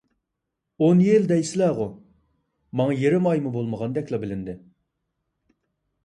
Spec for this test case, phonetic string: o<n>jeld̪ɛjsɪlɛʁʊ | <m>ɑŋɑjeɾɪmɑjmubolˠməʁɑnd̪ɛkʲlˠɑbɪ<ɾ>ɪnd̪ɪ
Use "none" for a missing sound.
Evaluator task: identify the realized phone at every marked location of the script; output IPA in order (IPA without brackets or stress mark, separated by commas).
n, m, l